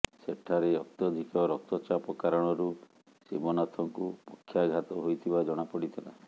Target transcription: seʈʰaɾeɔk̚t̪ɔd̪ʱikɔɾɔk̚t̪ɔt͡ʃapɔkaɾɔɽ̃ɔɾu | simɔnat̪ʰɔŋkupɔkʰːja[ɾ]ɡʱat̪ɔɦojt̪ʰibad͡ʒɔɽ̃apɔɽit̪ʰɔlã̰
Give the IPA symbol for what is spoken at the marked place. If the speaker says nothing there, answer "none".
none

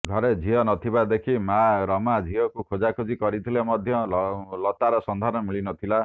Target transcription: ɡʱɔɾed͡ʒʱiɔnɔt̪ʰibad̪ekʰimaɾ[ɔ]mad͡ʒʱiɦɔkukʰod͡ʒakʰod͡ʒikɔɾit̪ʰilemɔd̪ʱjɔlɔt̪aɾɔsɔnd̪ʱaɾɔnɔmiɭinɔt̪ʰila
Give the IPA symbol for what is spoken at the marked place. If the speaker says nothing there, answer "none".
ɔ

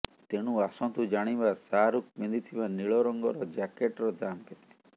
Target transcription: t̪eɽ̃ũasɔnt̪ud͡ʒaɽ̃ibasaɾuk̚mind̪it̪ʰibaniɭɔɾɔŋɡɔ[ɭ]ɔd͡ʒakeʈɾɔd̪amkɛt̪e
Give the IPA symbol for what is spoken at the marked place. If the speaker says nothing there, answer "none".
ɾ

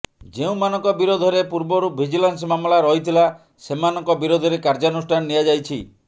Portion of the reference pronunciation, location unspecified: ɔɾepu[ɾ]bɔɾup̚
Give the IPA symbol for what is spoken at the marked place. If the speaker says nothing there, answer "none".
ɾ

